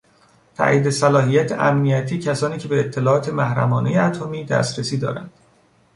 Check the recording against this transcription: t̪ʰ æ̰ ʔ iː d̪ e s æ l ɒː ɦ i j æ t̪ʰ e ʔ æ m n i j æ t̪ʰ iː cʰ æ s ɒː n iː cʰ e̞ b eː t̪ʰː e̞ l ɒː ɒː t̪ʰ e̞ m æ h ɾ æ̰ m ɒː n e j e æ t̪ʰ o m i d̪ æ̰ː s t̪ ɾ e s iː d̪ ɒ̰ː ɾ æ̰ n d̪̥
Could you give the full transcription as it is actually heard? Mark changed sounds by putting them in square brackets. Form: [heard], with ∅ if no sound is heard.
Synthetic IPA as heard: t̪ʰ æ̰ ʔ iː d̪ e s æ l ɒː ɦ i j æ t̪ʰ e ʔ æ m n i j æ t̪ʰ iː cʰ æ s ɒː n iː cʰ e̞ b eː t̪ʰː e̞ l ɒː ɒː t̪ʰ e̞ m æ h ɾ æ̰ m ɒː n e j e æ t̪ʰ o m [iː] d̪ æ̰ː s t̪ ɾ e s iː d̪ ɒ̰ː ɾ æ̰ n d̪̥